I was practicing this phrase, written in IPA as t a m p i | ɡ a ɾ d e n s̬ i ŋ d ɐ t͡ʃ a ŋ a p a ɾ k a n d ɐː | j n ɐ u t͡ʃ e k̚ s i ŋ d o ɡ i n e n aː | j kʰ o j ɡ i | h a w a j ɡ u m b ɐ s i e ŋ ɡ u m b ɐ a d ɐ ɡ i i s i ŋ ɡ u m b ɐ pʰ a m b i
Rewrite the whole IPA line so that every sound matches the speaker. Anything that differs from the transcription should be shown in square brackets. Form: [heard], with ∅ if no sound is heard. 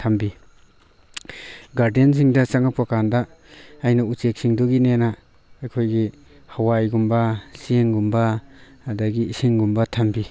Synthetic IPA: [tʰ] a m [b] i | ɡ a ɾ d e n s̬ i ŋ d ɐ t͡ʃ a ŋ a p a [∅] k a n d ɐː | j n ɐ u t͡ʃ e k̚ s i ŋ d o ɡ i n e n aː | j kʰ o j ɡ i | h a w a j ɡ u m b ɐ s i e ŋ ɡ u m b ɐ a d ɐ ɡ i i s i ŋ ɡ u m b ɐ [tʰ] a m b i